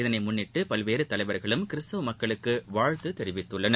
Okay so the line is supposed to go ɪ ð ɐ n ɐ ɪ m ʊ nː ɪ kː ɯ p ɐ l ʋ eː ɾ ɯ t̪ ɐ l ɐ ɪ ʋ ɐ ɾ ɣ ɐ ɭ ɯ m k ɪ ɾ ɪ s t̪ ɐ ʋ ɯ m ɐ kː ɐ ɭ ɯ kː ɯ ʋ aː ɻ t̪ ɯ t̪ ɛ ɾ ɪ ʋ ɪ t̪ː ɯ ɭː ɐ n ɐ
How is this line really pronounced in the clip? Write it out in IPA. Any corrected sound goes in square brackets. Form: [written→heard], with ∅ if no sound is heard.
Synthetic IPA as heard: ɪ ð ɐ n ɐ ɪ m ʊ nː ɪ [kː→ʈː] ɯ p ɐ l ʋ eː ɾ ɯ t̪ ɐ l ɐ ɪ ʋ ɐ ɾ ɣ ɐ ɭ ɯ m k ɪ ɾ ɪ s t̪ ɐ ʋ ɯ m ɐ kː ɐ ɭ ɯ kː ɯ ʋ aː ɻ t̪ ɯ t̪ ɛ ɾ ɪ ʋ ɪ t̪ː ɯ ɭː ɐ n ɐ